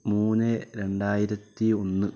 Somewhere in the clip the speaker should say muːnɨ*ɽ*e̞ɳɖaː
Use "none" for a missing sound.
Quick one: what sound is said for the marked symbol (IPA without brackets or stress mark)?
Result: ɾ